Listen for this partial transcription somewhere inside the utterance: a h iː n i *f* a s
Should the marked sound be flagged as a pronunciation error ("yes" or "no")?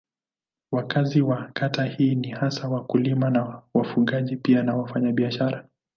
yes